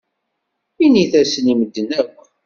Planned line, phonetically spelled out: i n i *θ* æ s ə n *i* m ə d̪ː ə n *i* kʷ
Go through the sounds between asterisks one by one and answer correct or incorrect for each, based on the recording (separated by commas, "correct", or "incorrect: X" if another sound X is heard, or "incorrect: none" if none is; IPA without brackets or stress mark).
correct, correct, incorrect: æ